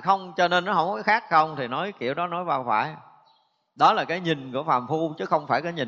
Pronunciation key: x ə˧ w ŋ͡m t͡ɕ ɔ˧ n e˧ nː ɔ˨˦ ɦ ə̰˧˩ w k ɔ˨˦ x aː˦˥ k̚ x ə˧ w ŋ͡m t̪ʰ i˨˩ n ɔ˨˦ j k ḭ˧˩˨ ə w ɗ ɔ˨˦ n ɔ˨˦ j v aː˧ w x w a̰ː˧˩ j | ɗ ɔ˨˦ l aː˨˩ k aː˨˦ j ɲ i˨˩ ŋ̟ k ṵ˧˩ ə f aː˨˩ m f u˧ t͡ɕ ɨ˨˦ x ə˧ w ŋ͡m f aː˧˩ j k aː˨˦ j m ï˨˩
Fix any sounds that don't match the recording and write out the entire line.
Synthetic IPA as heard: x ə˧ w ŋ͡m t͡ɕ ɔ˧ n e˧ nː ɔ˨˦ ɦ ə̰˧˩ w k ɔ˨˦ x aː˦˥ k̚ x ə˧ w ŋ͡m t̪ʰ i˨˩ n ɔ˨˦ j k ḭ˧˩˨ ə w ɗ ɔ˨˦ n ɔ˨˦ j v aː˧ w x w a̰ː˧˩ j | ɗ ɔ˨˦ l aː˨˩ k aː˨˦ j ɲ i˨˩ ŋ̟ k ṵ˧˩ ə f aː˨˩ m f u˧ t͡ɕ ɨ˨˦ x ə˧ w ŋ͡m f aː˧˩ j k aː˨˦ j ɲ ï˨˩